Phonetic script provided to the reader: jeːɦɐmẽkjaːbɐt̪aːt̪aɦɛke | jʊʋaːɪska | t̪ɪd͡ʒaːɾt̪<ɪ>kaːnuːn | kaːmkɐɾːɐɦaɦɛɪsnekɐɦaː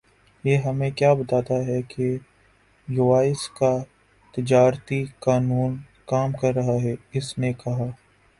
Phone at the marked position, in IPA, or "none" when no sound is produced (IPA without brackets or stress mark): i